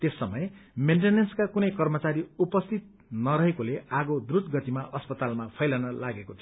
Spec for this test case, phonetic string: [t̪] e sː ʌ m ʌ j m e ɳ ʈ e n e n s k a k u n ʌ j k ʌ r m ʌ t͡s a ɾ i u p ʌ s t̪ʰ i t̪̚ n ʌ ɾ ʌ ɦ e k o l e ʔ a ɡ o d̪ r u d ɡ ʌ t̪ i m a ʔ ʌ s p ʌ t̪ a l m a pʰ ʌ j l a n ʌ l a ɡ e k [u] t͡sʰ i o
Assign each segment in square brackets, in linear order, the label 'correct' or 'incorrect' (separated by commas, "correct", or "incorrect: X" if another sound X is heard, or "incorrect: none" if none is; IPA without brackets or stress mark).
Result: correct, incorrect: o